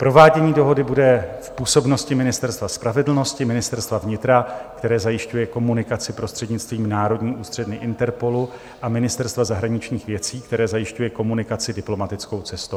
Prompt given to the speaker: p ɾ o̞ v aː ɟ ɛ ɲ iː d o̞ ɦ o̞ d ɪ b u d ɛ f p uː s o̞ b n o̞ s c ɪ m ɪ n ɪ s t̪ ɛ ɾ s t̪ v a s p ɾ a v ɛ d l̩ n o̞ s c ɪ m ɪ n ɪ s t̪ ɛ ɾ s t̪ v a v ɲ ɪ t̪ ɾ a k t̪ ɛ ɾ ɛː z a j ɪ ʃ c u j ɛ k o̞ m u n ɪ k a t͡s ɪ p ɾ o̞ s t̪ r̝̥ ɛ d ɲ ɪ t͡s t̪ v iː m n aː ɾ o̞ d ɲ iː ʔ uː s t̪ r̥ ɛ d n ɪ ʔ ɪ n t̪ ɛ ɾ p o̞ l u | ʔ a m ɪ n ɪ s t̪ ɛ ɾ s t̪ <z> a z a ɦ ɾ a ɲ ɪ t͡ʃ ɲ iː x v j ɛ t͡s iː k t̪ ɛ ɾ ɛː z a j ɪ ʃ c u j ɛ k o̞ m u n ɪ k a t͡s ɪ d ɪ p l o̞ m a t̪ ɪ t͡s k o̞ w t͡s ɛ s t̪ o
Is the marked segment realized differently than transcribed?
yes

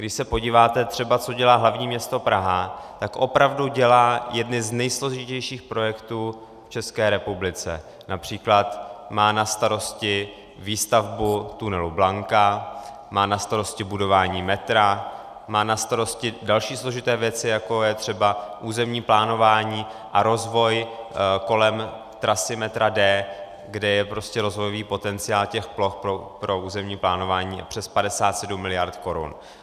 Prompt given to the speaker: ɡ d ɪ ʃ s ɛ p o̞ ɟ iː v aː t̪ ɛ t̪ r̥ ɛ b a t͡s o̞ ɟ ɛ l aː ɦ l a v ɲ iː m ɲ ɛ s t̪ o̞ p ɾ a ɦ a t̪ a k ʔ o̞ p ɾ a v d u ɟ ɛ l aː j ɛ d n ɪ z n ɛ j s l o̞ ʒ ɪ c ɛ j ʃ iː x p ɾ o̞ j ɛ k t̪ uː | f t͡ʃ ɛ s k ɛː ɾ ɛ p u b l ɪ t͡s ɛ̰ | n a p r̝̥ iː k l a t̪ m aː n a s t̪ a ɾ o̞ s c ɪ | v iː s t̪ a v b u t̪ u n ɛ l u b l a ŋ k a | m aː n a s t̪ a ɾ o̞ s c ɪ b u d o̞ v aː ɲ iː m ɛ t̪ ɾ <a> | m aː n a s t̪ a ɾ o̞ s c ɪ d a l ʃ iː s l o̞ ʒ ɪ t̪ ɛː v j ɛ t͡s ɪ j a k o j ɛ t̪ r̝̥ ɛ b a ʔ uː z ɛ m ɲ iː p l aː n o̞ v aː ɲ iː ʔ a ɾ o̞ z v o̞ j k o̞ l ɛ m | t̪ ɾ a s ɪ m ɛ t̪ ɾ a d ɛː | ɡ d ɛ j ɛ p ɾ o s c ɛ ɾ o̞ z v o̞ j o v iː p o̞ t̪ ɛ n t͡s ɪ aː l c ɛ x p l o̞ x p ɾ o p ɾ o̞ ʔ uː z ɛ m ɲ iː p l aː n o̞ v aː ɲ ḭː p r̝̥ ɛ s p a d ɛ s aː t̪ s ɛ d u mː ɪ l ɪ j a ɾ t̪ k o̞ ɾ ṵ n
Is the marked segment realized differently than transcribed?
no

